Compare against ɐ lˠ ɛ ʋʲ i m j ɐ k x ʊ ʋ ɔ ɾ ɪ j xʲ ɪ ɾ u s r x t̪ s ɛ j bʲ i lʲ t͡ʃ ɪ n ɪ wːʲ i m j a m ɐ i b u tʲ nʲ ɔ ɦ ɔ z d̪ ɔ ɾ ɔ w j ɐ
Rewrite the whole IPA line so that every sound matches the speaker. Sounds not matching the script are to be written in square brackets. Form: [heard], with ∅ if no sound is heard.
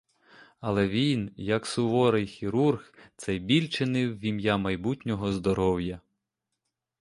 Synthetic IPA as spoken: ɐ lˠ ɛ ʋʲ i [n] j ɐ k [s] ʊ ʋ ɔ ɾ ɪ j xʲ [i] ɾ u [∅] r x t̪ s ɛ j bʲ i lʲ t͡ʃ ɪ n ɪ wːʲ i m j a m ɐ [j] b u tʲ nʲ ɔ ɦ ɔ z d̪ ɔ ɾ ɔ w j ɐ